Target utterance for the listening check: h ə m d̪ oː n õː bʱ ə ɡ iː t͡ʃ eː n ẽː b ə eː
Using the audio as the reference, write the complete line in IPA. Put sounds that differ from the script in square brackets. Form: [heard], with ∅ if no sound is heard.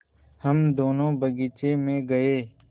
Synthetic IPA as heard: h ə m d̪ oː n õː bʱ ə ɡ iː t͡ʃ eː [m] ẽː [ɡ] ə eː